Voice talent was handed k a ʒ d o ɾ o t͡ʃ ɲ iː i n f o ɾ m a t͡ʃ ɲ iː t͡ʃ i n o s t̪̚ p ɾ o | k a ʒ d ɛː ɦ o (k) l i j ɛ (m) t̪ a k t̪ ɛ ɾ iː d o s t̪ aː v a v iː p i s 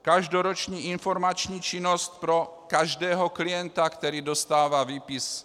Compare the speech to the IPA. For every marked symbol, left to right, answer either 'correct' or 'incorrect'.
correct, incorrect

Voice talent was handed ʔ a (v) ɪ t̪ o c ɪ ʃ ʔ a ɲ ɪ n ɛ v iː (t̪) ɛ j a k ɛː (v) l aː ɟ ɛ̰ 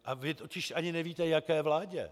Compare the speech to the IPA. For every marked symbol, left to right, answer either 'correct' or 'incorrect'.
correct, correct, correct

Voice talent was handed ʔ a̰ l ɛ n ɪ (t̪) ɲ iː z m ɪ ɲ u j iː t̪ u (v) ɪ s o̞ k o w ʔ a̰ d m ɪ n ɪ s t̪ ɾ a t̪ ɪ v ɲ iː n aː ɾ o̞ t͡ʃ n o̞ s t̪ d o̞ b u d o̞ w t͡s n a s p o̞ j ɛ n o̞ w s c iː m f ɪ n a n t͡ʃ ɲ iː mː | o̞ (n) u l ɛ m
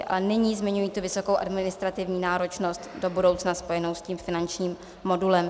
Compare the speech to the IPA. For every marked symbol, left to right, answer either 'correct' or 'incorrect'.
incorrect, correct, incorrect

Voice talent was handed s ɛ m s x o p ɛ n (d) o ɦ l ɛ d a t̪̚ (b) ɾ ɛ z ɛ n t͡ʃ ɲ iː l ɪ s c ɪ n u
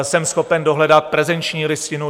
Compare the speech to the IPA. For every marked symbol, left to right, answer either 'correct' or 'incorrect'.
correct, incorrect

